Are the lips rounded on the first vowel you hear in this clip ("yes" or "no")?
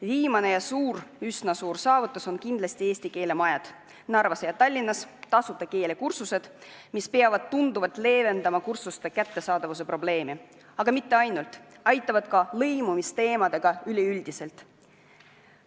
no